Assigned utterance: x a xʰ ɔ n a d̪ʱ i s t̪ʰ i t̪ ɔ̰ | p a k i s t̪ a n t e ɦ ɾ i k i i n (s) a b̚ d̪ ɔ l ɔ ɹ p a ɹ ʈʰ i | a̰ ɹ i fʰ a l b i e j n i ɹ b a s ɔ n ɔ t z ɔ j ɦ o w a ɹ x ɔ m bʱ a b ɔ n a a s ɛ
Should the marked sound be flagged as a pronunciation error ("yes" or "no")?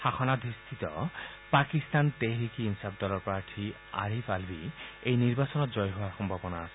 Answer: no